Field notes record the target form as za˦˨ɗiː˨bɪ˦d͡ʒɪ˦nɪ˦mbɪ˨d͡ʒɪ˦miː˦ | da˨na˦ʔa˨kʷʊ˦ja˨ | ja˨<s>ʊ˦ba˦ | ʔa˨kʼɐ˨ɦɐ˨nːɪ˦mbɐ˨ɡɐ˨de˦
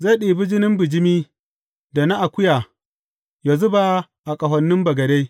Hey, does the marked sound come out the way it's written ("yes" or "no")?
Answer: no